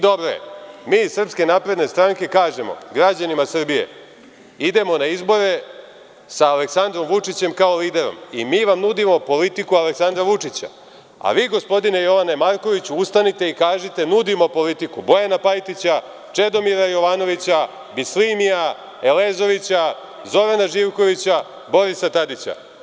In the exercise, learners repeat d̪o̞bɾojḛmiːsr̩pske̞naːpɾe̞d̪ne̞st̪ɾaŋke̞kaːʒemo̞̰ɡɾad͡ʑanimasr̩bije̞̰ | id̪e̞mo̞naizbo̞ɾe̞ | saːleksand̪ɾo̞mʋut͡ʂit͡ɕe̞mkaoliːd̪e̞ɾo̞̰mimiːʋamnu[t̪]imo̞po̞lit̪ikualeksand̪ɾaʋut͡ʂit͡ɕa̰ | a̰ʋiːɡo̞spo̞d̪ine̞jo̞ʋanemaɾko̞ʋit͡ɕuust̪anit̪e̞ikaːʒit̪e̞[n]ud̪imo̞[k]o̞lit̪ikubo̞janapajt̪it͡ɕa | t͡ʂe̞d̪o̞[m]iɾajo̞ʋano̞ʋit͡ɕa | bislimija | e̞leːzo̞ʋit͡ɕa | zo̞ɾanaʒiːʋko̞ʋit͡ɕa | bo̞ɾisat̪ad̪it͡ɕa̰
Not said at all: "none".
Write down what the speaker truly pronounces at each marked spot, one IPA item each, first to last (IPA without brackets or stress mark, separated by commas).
d̪, n, p, m